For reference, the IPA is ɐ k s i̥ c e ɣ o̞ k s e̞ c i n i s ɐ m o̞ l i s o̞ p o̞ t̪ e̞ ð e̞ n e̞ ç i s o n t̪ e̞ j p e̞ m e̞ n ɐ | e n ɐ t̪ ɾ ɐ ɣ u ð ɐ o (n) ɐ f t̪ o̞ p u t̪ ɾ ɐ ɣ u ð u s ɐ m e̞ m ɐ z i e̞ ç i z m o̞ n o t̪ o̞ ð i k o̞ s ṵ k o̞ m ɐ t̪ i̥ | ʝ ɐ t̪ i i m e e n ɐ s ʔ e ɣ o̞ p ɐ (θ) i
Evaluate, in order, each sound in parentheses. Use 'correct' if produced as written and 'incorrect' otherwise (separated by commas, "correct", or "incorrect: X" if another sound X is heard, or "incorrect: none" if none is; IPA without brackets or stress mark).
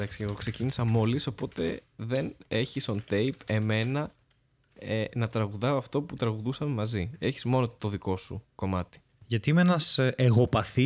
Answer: incorrect: none, correct